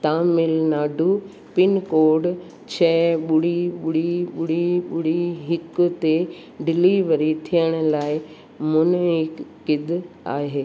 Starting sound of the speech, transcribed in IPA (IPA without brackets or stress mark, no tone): t̪